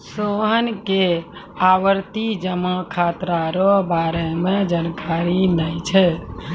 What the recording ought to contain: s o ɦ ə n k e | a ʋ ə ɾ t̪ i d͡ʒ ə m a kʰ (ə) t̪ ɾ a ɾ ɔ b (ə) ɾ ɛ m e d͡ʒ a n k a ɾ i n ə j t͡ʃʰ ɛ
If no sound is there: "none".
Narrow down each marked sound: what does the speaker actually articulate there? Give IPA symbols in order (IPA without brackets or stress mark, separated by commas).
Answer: a, a